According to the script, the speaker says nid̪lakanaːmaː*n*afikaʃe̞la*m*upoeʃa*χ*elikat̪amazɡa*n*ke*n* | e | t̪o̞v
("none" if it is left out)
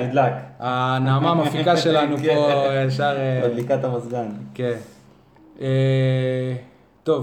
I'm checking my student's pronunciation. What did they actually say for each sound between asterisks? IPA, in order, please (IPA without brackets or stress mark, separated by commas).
m, n, ʁ, n, n